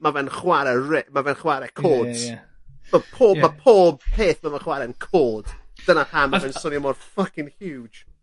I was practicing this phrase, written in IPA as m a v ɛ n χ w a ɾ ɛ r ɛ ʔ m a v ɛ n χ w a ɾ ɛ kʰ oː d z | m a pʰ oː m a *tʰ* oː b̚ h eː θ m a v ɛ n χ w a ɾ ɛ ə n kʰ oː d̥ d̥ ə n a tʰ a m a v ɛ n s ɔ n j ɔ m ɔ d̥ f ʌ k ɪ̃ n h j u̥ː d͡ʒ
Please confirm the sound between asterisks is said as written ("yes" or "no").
no